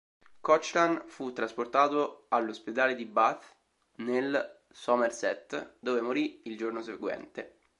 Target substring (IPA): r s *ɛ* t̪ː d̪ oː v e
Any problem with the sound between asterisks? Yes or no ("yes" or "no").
no